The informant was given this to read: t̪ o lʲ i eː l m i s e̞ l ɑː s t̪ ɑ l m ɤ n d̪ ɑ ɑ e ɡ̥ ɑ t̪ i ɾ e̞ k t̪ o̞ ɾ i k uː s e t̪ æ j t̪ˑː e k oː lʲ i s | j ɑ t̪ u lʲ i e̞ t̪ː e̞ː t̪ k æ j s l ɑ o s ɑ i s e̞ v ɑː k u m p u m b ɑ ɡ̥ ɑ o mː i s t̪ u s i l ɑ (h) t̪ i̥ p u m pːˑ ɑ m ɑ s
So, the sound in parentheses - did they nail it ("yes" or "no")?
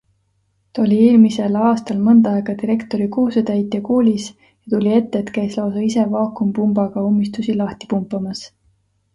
yes